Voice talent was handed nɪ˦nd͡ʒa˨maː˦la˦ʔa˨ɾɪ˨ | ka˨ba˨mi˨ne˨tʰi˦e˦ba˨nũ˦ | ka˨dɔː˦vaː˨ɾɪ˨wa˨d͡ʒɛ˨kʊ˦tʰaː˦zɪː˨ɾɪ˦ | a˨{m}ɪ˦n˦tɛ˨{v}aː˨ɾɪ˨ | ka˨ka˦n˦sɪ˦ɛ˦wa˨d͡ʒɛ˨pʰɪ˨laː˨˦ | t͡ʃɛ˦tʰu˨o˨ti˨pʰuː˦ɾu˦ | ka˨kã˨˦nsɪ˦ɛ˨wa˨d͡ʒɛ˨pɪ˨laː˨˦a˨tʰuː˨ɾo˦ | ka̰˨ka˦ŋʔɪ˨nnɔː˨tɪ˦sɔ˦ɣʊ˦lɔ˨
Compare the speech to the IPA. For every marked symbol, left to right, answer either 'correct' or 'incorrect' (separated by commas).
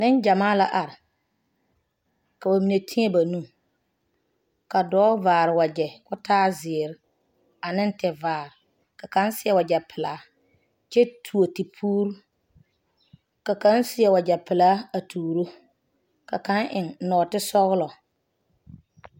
incorrect, correct